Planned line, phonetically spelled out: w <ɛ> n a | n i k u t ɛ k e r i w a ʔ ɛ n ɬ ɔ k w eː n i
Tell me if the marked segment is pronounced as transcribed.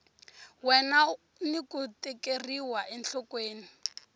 yes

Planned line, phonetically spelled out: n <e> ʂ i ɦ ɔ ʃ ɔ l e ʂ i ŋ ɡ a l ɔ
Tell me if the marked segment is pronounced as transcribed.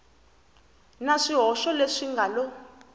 no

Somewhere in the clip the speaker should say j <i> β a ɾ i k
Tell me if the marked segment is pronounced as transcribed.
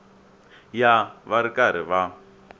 no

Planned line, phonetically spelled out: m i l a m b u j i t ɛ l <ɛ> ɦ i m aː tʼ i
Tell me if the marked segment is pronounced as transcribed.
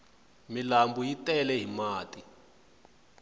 yes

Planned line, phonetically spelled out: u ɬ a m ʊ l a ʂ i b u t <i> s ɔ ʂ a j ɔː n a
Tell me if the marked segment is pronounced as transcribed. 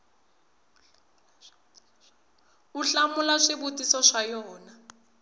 yes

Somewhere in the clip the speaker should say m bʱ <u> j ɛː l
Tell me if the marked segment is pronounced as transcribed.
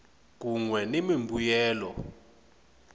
yes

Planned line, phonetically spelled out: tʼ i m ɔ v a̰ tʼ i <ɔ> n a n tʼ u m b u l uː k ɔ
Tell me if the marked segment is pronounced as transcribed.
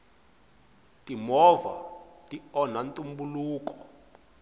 yes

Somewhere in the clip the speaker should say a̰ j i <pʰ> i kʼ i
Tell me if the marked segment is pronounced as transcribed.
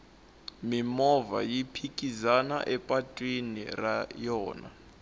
yes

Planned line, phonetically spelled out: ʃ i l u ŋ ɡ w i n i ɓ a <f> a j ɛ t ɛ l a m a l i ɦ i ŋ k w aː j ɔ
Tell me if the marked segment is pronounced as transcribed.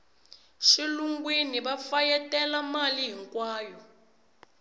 yes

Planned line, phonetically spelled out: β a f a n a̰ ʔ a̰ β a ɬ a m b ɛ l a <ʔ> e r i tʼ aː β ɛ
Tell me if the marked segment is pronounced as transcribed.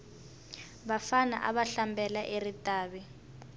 yes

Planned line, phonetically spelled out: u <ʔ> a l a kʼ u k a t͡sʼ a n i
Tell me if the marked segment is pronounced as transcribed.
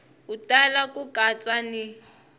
no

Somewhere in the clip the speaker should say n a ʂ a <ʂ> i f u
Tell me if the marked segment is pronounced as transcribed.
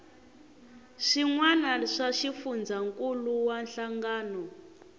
no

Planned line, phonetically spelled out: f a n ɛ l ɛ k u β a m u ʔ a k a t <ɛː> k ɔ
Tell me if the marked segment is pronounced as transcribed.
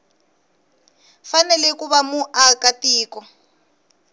no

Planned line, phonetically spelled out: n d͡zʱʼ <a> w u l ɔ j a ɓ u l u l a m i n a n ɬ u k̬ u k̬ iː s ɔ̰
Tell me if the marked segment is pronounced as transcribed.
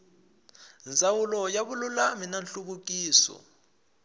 yes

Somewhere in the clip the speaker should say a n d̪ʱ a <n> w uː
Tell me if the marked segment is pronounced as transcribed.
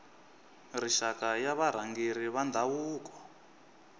no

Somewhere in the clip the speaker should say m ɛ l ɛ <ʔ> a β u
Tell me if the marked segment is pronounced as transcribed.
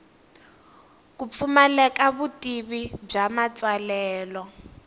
no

